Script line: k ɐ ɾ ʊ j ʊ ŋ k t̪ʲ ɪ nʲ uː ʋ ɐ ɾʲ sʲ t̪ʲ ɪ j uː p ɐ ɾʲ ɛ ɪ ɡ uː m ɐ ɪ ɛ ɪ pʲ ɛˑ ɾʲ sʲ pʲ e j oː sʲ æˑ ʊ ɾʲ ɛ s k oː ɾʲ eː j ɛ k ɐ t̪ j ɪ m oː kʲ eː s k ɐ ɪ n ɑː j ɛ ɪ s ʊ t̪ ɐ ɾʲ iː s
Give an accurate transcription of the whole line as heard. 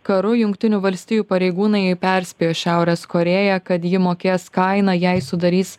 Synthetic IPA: k ɐ ɾ ʊ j ʊ ŋ k t̪ʲ ɪ nʲ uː ʋ ɐ lʲ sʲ t̪ʲ ɪ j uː p ɐ ɾʲ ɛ ɪ ɡ uː n ɐ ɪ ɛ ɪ pʲ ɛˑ ɾʲ sʲ pʲ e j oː ʃʲ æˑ ʊ ɾʲ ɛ s k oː ɾʲ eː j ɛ k ɐ t̪ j ɪ m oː kʲ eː s k ɐ ɪ n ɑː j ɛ ɪ s ʊ d̪ ɐ ɾʲ iː s

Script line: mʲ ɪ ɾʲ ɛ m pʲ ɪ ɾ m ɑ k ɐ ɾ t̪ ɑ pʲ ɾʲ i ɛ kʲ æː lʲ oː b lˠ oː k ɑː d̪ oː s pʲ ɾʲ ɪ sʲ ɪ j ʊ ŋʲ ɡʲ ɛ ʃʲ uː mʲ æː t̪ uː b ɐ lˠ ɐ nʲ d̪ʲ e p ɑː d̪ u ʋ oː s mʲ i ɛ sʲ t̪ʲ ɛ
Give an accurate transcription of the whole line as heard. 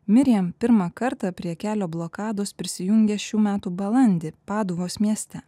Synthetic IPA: mʲ ɪ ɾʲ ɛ m pʲ ɪ ɾ m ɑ k ɐ ɾ t̪ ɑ pʲ ɾʲ i ɛ kʲ æː lʲ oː b lˠ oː k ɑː d̪ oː s pʲ ɾʲ ɪ sʲ ɪ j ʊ ŋʲ ɡʲ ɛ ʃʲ uː mʲ æː t̪ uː b ɐ lˠ ɐ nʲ d̪ʲ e p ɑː d̪ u ʋ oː s mʲ i ɛ sʲ t̪ʲ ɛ

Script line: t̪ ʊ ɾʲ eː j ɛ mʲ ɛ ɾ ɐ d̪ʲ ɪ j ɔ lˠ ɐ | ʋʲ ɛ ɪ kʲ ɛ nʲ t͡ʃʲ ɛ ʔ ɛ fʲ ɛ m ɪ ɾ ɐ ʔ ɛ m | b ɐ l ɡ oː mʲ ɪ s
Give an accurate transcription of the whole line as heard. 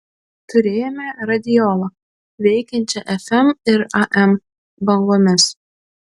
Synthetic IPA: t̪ ʊ ɾʲ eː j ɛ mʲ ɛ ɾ ɐ d̪ʲ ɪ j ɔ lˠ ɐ | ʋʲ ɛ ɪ kʲ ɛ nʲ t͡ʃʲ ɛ ʔ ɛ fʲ ɛ m ɪ ɾ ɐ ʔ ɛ m | b ɐ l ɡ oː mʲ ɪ s

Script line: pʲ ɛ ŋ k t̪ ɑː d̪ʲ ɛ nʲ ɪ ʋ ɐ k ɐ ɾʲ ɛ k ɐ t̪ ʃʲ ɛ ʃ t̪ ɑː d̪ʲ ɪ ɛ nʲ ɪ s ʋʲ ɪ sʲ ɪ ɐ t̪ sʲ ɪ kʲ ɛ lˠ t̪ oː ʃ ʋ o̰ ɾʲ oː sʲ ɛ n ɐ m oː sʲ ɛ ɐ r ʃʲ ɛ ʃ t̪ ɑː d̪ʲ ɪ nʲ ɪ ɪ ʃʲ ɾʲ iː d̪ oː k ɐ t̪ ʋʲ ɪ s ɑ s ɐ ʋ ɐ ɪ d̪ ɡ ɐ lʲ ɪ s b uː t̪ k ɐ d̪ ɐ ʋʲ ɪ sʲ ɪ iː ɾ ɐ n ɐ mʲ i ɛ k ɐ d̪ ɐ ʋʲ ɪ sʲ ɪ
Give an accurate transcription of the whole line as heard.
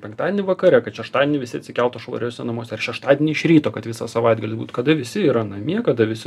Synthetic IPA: pʲ ɛ ŋ k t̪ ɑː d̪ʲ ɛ nʲ ɪ ʋ ɐ k ɐ ɾʲ ɛ k ɐ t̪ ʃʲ ɛ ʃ t̪ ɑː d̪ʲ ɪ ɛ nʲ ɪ ʋʲ ɪ sʲ ɪ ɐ t̪ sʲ ɪ kʲ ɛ lˠ t̪ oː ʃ ʋ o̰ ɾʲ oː sʲ ɛ n ɐ m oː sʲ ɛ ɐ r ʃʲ ɛ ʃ t̪ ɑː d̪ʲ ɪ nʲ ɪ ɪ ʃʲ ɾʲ iː t̪ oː k ɐ t̪ ʋʲ ɪ s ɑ s ɐ ʋ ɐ ɪ d̪ ɡ ɐ lʲ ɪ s b uː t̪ k ɐ d̪ ɐ ʋʲ ɪ sʲ ɪ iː ɾ ɐ n ɐ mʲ i ɛ k ɐ d̪ ɐ ʋʲ ɪ sʲ ɪ

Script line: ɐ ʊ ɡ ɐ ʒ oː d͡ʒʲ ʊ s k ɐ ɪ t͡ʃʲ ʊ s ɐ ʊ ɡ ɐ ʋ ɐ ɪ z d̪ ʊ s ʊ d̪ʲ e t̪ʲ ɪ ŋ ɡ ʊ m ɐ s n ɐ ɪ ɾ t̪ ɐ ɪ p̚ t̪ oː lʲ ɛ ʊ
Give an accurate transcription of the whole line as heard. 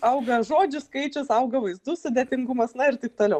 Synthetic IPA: ɐ ʊ ɡ ɐ ʒ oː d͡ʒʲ ʊ s k ɐ ɪ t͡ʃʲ ʊ s ɐ ʊ ɡ ɐ ʋ ɐ ɪ z d̪ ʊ s ʊ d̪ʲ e t̪ʲ ɪ ŋ ɡ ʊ m ɐ s n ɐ ɪ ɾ t̪ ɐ ɪ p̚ t̪ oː lʲ ɛ ʊ

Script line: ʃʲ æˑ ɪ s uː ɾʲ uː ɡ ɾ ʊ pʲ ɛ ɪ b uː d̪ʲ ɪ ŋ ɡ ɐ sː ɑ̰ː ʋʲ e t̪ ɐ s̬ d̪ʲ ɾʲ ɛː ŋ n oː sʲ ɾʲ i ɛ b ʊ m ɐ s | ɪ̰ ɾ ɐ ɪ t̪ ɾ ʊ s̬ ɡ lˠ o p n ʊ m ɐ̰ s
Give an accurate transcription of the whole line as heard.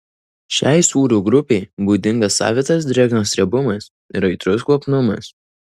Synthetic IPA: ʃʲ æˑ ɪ s uː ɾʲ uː ɡ ɾ ʊ pʲ ɛ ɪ b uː d̪ʲ ɪ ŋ ɡ ɐ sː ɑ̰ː ʋʲ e t̪ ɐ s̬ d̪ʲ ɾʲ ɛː ɡ n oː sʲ ɾʲ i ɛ b ʊ m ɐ s | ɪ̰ ɾ ɐ ɪ t̪ ɾ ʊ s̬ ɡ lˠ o p n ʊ m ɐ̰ s

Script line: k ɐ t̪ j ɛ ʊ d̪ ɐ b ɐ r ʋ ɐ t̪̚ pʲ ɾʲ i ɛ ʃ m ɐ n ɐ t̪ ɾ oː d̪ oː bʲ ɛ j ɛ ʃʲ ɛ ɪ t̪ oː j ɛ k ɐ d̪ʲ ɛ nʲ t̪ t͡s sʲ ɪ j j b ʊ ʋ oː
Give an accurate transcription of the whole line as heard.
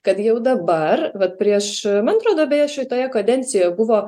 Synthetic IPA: k ɐ t̪ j ɛ ʊ d̪ ɐ b ɐ r ʋ ɐ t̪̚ pʲ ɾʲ i ɛ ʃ m ɐ n ɐ t̪ ɾ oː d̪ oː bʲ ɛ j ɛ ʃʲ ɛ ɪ t̪ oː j ɛ k ɐ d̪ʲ ɛ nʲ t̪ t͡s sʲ ɪ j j b ʊ ʋ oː

